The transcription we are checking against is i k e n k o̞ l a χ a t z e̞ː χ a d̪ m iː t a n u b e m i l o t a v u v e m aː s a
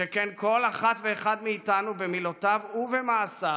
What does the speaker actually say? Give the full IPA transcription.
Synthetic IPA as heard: e k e n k o̞ l a χ a t v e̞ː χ a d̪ m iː t a n u b e m i l o t a v u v e m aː s a